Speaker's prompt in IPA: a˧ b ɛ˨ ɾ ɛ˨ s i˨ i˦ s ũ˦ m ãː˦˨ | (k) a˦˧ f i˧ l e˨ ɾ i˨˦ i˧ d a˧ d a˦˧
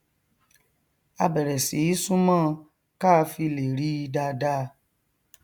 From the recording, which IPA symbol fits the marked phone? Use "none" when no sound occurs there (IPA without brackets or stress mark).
k